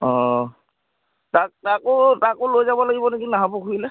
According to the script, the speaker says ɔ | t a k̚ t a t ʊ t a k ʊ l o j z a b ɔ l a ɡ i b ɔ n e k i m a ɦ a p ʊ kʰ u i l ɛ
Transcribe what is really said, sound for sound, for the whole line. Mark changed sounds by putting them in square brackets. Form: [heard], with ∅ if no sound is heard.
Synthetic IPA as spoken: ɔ | t a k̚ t a [k] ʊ t a k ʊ l o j z a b ɔ l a ɡ i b ɔ n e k i [n] a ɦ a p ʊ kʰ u i l ɛ